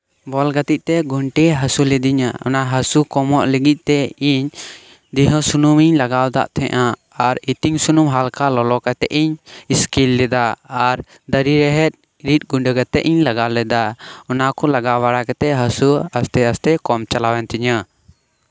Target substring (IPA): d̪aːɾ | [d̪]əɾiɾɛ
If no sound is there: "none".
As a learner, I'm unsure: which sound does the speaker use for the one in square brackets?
d̪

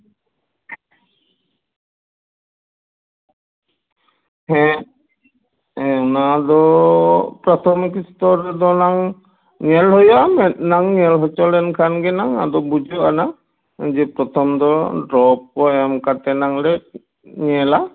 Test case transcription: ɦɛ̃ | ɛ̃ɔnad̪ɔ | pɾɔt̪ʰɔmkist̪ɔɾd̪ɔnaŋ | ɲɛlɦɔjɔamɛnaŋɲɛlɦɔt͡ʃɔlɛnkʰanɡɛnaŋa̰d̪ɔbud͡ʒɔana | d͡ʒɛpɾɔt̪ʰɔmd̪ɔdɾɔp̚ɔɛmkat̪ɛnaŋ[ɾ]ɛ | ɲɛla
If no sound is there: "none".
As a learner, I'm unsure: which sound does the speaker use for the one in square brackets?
l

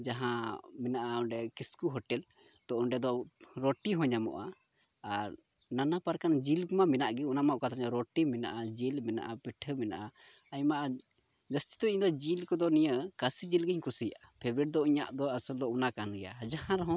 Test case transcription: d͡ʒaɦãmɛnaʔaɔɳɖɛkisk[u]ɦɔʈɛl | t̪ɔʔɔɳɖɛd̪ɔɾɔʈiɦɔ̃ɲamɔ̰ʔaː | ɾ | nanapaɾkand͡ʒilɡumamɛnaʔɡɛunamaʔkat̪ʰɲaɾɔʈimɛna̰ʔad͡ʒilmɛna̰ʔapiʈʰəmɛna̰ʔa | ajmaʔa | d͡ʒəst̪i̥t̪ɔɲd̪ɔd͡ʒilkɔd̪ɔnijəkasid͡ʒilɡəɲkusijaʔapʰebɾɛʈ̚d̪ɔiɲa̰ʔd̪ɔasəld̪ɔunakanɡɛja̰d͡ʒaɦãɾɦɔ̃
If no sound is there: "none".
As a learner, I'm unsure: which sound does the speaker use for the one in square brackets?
u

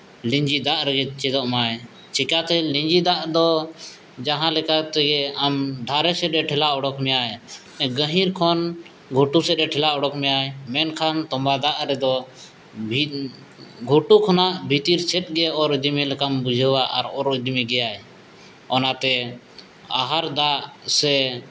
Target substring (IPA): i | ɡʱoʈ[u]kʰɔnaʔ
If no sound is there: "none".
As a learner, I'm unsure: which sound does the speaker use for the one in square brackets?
u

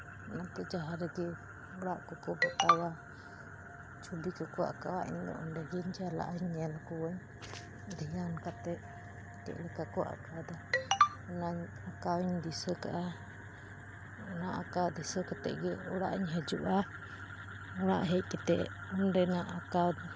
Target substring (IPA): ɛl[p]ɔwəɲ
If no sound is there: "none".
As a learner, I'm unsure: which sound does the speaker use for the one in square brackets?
k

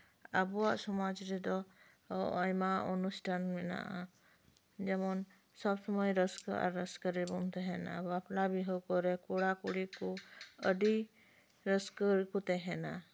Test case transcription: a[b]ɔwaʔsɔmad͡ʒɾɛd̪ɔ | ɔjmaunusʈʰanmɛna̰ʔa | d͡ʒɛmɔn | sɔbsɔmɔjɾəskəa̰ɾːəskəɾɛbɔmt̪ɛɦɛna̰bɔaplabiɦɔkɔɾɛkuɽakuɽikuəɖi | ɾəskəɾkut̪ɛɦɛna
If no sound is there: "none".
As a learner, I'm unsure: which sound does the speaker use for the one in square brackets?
b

